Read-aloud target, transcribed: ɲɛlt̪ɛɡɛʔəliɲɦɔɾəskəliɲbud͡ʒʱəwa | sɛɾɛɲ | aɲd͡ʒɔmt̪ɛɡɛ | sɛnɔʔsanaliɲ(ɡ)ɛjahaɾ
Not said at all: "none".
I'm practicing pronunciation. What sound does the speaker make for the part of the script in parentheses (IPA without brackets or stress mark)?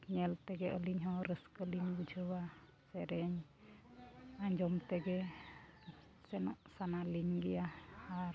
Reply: ɡ